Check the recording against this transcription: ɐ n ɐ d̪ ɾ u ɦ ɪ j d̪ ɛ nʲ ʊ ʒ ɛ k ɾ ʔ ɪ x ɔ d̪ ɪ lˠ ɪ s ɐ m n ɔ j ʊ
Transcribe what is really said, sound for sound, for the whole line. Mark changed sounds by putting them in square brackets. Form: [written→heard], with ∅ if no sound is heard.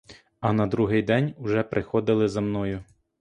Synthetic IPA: ɐ n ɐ d̪ ɾ u ɦ ɪ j d̪ ɛ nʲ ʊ ʒ ɛ [k→p] ɾ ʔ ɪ x ɔ d̪ ɪ lˠ ɪ [s→z] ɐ m n ɔ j ʊ